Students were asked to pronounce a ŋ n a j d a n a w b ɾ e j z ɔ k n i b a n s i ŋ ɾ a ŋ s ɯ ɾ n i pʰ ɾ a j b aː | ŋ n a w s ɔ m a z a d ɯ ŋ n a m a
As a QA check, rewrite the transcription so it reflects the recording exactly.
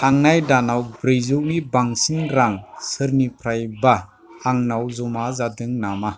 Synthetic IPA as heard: a ŋ n a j d a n a w b ɾ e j z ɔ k n i b a ŋ s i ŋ ɾ a ŋ s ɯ ɾ n i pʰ ɾ a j b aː | ŋ n a w z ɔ m a z a d ɯ ŋ n a m a